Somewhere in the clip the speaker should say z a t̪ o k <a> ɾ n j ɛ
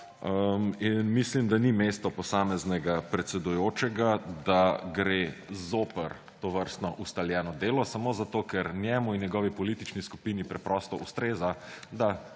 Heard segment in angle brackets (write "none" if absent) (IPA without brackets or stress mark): ɛ